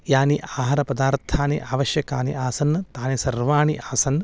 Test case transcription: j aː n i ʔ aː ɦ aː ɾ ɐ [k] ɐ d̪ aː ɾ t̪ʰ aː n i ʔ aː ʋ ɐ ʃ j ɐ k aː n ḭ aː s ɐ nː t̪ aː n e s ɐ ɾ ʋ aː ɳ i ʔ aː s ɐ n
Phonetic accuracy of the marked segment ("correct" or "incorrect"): incorrect